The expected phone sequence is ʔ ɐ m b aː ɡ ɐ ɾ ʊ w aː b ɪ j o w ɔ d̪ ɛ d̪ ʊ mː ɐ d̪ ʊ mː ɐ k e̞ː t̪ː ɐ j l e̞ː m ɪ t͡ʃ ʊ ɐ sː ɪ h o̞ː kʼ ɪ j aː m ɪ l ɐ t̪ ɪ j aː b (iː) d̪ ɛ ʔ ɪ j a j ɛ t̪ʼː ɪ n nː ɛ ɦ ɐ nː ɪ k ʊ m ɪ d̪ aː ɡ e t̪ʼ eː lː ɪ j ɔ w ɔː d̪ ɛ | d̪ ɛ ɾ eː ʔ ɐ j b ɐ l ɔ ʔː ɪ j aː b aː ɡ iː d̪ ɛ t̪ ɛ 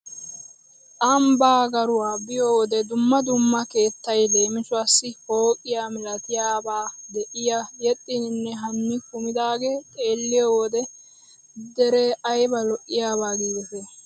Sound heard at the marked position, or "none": aː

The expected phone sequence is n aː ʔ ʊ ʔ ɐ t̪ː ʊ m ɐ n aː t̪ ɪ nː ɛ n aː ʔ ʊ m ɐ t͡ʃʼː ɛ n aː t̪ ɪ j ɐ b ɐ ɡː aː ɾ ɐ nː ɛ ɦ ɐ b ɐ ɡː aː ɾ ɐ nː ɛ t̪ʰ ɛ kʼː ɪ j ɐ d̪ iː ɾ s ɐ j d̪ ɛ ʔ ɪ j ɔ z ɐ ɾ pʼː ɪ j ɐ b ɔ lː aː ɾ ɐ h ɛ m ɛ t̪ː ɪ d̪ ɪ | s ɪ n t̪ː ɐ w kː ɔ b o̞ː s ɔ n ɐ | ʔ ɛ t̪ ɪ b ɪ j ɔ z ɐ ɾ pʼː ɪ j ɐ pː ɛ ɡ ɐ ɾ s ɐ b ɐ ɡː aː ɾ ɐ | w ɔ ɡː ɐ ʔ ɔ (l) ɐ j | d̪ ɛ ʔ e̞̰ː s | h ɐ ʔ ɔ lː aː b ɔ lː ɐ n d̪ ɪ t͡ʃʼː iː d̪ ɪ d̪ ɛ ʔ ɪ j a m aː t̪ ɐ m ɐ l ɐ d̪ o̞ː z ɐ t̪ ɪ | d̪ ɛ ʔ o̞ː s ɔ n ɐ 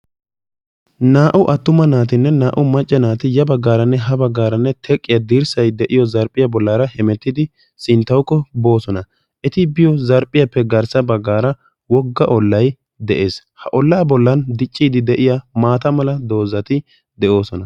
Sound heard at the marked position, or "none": lː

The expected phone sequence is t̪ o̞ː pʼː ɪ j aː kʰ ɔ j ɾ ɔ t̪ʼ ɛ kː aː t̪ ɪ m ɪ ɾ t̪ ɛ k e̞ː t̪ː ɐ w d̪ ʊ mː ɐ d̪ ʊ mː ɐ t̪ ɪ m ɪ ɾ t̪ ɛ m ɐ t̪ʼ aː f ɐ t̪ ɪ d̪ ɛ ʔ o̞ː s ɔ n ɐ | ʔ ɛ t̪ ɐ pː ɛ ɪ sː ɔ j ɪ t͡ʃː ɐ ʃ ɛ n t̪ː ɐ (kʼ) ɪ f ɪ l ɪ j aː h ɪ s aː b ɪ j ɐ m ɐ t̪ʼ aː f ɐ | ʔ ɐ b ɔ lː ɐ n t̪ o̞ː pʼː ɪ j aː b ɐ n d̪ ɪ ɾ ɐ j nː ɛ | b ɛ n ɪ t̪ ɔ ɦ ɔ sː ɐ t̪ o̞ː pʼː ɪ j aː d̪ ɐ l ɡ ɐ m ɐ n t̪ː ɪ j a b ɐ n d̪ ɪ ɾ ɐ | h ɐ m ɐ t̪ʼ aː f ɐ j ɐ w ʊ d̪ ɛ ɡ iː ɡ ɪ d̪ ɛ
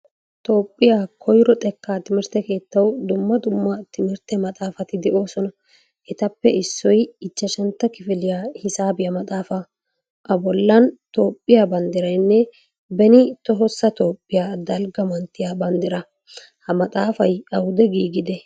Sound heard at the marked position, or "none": k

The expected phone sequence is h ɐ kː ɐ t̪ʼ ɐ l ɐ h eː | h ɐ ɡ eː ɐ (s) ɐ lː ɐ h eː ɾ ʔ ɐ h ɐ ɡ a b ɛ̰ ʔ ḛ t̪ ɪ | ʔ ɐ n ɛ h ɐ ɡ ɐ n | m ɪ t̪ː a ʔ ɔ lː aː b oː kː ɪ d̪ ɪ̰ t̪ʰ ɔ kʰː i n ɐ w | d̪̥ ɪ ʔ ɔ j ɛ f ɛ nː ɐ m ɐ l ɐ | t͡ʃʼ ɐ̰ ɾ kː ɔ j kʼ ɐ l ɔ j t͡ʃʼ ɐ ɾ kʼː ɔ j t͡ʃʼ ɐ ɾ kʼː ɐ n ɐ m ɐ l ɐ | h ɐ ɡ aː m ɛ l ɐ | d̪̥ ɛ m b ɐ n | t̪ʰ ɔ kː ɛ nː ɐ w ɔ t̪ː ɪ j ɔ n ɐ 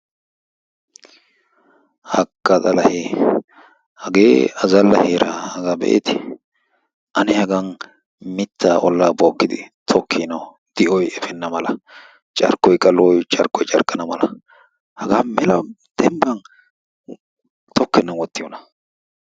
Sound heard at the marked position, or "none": z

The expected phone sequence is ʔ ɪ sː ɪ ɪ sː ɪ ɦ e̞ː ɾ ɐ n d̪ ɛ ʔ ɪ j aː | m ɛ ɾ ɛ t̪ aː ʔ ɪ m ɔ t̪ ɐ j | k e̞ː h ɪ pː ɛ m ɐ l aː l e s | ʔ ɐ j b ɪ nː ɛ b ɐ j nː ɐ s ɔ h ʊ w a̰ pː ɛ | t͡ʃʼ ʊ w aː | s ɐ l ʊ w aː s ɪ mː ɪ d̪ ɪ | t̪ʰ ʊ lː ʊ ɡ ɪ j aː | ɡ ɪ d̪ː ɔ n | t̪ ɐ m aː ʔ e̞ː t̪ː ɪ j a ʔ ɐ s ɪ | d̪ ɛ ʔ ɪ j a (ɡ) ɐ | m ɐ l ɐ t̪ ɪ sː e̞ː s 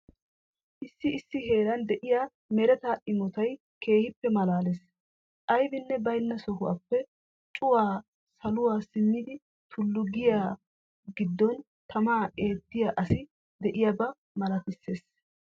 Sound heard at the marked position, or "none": b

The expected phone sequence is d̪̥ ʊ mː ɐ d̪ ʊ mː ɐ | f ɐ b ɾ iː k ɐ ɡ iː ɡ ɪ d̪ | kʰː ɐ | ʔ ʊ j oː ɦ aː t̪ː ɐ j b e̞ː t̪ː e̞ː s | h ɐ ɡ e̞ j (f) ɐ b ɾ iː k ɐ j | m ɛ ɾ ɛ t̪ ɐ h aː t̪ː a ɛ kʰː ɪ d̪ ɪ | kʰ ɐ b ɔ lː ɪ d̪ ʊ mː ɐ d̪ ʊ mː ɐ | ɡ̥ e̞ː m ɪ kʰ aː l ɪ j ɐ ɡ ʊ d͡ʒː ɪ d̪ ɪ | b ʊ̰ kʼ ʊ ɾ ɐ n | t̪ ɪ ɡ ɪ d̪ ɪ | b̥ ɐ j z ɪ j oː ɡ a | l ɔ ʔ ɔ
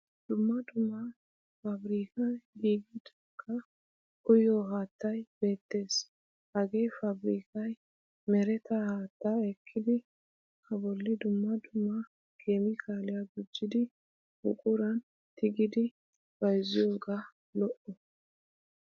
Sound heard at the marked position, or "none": f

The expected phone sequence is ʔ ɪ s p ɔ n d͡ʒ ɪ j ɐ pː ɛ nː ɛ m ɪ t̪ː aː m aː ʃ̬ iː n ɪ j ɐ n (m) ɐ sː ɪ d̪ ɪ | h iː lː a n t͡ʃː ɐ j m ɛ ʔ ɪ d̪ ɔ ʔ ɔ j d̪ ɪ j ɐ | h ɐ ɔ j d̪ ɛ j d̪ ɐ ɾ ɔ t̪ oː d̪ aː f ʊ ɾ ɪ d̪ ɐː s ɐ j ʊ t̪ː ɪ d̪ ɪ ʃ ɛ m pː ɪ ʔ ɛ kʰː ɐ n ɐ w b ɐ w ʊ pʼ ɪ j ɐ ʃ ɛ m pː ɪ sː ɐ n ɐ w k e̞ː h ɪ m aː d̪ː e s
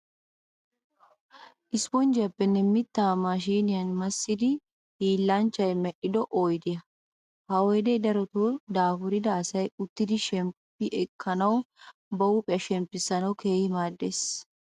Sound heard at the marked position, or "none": m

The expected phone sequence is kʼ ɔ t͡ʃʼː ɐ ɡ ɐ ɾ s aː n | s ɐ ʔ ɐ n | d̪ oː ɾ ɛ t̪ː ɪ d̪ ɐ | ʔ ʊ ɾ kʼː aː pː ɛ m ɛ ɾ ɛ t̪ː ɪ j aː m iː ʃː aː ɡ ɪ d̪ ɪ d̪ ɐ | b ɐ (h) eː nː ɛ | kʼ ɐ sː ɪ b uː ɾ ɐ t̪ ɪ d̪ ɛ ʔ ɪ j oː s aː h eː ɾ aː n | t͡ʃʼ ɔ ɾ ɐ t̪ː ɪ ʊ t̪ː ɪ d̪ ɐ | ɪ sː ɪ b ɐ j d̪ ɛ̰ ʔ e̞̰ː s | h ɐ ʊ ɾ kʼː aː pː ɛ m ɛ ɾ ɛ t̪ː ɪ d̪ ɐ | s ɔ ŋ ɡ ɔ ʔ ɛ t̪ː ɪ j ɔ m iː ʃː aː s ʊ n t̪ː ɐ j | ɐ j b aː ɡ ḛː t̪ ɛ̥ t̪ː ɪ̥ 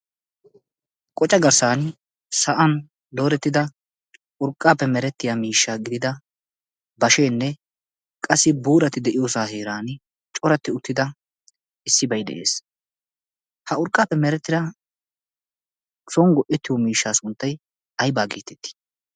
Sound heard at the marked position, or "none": ʃ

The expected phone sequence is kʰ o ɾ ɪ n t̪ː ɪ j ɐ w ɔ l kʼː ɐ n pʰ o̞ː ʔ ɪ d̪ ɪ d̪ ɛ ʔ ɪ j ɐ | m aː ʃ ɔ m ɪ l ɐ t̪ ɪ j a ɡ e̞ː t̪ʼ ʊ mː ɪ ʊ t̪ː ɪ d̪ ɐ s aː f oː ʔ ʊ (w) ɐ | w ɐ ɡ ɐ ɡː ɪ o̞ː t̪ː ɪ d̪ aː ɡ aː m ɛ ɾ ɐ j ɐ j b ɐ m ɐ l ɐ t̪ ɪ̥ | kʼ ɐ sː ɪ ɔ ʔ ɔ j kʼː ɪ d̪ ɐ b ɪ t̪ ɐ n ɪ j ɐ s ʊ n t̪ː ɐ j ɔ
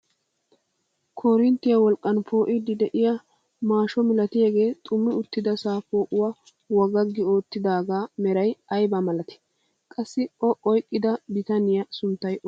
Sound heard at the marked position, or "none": w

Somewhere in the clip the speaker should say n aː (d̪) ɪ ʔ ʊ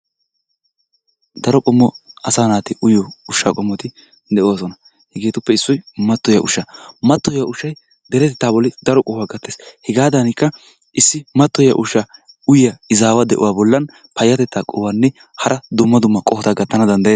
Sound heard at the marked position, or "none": t̪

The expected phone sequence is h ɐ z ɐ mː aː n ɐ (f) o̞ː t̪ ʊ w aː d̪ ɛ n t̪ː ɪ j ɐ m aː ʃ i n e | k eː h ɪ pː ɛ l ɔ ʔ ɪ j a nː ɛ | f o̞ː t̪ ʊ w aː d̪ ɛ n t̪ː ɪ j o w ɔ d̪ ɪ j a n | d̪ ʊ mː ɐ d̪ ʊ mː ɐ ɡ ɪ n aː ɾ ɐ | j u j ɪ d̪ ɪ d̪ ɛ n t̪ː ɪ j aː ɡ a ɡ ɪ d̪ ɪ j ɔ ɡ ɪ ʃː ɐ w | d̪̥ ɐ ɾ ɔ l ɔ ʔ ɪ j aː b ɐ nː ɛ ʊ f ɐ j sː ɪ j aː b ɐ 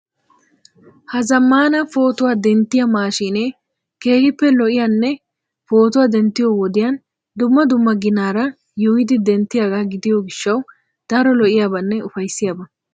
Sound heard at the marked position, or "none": f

